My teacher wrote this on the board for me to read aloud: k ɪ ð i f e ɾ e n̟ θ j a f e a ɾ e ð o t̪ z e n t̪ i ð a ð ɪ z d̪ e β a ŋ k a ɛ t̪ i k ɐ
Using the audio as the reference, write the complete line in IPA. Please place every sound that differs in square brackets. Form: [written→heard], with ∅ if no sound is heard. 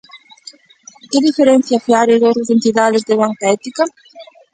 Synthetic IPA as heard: k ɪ ð i f e ɾ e n̟ θ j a f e a ɾ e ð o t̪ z e n t̪ i ð a ð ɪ z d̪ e β a ŋ k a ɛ t̪ i k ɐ